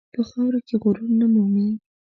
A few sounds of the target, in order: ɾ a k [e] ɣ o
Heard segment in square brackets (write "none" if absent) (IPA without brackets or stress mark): e